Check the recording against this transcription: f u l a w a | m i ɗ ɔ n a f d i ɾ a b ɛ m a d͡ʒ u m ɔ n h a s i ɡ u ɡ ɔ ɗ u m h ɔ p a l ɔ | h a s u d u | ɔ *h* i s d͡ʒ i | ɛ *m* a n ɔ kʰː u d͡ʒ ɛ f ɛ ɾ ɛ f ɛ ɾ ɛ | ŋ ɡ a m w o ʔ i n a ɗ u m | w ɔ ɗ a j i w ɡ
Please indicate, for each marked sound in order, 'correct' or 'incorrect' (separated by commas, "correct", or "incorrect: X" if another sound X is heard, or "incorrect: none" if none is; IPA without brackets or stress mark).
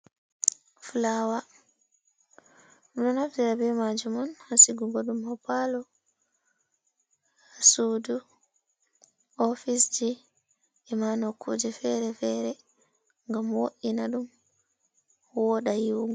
incorrect: f, correct